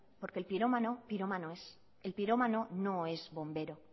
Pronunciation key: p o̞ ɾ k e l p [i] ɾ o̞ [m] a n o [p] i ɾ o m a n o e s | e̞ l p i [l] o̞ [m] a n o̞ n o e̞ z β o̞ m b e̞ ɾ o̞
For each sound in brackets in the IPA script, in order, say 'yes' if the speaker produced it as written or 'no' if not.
yes, yes, yes, no, yes

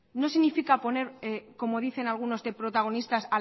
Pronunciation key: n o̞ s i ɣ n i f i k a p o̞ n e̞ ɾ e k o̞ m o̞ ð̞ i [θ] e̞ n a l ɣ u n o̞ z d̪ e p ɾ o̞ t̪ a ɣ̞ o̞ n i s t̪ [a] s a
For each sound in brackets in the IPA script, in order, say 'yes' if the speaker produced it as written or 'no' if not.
yes, yes

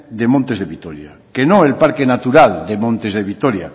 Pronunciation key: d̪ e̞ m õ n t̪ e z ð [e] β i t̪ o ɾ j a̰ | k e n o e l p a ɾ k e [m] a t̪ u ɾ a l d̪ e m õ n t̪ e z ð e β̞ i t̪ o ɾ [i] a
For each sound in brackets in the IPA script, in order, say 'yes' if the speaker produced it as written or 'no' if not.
yes, no, no

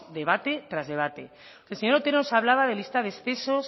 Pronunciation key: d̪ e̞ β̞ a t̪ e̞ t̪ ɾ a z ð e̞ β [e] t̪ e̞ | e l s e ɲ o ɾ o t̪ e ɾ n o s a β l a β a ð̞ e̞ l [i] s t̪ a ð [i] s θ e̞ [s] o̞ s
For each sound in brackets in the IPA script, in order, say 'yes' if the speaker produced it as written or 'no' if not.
no, yes, no, yes

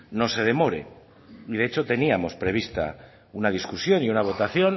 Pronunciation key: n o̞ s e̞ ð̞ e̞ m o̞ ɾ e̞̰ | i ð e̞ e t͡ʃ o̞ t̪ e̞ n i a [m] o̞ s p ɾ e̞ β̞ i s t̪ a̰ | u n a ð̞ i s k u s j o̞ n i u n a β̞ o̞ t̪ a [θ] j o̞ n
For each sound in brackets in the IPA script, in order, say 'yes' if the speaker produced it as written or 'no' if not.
yes, yes

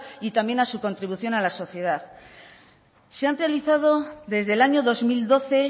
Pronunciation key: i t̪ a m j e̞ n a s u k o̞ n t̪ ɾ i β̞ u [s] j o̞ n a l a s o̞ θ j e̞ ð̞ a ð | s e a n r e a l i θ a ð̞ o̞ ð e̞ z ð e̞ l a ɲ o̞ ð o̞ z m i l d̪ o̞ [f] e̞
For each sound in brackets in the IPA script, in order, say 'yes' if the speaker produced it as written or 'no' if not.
no, no

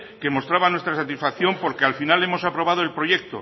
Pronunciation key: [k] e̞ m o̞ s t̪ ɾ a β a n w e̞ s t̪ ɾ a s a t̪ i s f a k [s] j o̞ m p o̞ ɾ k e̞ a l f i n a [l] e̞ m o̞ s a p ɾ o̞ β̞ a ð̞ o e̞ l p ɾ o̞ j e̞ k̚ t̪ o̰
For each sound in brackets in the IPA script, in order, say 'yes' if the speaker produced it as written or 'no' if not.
yes, no, yes

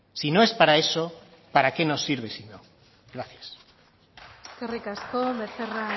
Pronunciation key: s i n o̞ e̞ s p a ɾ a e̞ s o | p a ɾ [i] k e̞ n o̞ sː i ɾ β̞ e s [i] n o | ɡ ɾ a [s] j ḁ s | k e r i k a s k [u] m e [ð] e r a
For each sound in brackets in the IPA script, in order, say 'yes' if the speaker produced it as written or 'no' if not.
no, yes, no, no, no

